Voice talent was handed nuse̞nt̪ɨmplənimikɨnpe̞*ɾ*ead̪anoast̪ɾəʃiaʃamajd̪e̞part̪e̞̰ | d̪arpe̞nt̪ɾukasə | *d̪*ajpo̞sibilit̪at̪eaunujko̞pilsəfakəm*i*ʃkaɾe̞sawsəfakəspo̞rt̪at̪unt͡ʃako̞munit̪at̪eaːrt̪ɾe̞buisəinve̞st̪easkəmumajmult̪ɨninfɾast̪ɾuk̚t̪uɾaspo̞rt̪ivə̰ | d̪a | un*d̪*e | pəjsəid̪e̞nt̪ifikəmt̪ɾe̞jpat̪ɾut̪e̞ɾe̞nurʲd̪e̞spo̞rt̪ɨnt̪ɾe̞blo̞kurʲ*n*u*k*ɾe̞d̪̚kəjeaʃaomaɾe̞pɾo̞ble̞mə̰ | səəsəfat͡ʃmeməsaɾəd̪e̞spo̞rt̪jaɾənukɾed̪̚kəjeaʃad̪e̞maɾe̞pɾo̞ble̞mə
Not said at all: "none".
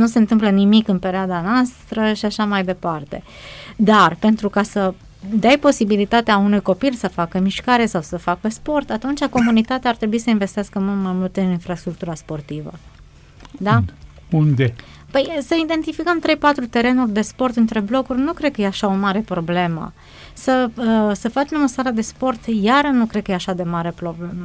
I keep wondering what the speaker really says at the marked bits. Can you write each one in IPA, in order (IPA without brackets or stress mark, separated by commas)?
ɾ, d̪, i, d̪, n, k